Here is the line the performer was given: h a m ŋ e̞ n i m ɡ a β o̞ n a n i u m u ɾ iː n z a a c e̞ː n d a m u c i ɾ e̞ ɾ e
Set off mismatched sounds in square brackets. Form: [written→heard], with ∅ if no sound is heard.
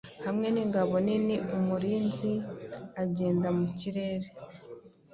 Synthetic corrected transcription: h a m ŋ e̞ n i [m→ŋ] ɡ a β o̞ n [a→i] n i u m u ɾ iː n z [a→i] a [c→ɟ] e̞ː n d a m u c i ɾ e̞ ɾ e